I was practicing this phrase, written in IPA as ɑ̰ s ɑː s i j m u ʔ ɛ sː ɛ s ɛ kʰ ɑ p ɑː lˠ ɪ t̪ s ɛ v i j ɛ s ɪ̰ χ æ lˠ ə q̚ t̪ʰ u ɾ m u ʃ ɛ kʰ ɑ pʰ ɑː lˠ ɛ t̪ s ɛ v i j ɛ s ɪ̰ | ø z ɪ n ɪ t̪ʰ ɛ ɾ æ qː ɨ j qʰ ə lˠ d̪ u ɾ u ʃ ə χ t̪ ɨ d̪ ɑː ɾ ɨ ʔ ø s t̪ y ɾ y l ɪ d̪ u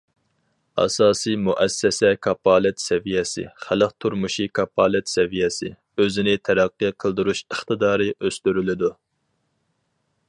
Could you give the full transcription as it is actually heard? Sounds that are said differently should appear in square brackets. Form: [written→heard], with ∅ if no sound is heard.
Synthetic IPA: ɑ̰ s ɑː s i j m u ʔ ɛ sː ɛ s ɛ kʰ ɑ p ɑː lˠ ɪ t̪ s ɛ v i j ɛ s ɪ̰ χ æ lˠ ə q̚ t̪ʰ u ɾ m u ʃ [ɛ→i] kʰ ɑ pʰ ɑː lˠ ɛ t̪ s ɛ v i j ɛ s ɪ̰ | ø z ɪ n ɪ t̪ʰ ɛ ɾ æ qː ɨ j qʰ ə lˠ d̪ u ɾ u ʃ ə χ t̪ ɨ d̪ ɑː ɾ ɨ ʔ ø s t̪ y ɾ y l ɪ d̪ u